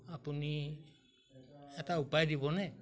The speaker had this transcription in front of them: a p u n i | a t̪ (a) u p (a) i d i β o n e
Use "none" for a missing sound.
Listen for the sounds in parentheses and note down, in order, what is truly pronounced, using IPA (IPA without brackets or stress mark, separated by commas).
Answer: a, a